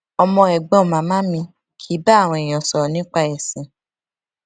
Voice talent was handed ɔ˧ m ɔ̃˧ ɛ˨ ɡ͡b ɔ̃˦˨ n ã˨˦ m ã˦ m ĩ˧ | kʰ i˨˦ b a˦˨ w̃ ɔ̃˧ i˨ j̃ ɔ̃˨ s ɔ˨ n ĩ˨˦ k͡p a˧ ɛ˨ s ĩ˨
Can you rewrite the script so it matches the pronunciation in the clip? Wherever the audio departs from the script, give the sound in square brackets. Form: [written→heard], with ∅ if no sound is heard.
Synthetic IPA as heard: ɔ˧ m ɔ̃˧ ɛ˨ ɡ͡b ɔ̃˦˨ [n→m] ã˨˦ m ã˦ m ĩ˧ | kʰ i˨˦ b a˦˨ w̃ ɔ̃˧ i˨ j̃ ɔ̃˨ s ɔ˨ n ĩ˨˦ k͡p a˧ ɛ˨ s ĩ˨